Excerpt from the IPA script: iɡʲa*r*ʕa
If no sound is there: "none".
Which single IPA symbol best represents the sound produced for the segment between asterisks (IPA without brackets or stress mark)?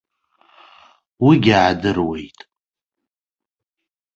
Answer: none